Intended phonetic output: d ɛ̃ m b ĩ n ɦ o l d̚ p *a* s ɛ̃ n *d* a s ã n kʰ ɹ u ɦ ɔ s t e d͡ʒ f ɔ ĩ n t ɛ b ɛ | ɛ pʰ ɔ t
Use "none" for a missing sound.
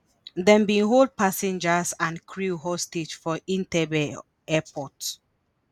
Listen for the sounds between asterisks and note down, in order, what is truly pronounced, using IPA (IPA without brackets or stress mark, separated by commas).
a, d͡ʒ